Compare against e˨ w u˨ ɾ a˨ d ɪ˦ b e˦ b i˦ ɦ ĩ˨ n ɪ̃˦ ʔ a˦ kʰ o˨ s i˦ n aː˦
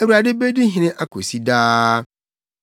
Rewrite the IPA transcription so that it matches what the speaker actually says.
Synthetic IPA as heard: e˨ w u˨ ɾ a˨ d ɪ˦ b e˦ d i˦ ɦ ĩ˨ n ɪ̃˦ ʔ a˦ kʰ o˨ s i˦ d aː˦